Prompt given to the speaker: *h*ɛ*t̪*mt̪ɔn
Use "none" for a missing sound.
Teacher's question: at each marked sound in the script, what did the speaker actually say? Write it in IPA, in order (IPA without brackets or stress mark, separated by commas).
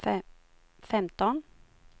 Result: f, none